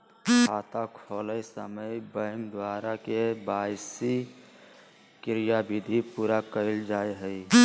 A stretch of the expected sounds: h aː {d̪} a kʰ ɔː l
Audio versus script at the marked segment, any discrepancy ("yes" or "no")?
yes